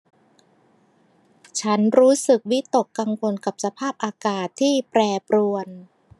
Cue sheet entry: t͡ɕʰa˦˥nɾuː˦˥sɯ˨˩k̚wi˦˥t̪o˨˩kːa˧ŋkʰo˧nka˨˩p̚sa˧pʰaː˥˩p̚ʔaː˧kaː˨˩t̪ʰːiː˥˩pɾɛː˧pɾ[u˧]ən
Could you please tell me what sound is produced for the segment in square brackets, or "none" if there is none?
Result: u˧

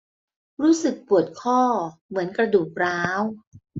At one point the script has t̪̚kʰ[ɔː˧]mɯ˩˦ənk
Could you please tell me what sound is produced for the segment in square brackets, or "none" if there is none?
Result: ɔː˥˩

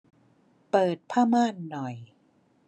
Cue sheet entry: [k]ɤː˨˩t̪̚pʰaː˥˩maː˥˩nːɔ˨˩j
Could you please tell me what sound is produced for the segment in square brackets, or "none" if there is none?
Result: p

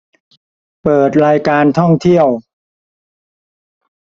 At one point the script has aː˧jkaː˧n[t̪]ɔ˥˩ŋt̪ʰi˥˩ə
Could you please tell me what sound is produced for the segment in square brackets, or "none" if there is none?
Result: t̪ʰ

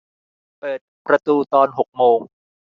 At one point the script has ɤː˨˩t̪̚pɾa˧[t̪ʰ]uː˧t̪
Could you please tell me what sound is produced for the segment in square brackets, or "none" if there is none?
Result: t̪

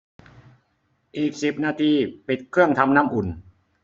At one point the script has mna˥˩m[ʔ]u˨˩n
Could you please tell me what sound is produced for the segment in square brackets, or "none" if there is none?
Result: ʔ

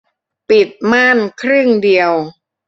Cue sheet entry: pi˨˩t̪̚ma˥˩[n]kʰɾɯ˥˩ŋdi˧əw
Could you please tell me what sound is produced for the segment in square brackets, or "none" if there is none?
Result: n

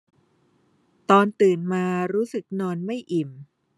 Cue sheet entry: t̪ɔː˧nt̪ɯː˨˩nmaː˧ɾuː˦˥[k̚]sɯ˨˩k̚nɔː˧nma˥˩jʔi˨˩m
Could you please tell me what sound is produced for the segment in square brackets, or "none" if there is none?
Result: none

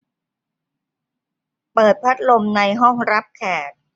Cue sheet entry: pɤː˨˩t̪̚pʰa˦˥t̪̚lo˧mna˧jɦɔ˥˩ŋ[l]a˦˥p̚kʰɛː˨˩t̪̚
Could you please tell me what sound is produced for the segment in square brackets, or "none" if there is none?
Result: ɾ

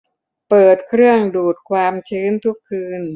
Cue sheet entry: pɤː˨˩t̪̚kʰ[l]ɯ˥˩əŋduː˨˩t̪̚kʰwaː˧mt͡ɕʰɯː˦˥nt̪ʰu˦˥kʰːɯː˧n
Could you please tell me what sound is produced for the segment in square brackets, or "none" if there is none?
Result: ɾ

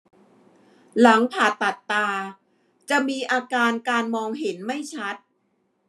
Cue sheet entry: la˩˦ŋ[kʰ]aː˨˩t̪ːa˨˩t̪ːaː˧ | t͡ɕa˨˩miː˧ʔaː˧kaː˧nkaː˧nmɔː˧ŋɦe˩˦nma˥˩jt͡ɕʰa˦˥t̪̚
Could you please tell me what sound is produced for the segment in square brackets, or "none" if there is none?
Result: pʰ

